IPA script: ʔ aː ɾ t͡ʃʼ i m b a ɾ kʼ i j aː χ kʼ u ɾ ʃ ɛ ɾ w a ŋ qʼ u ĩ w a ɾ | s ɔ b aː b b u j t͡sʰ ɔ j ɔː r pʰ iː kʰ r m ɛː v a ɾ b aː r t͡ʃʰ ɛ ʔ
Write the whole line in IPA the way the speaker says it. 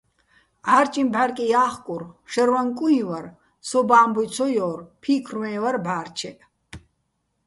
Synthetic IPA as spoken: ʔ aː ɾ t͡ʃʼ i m b a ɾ kʼ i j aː χ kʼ u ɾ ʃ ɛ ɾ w a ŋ kʼ u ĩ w a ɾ | s ɔ b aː m b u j t͡sʰ ɔ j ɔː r pʰ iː kʰ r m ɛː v a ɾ b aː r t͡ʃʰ ɛ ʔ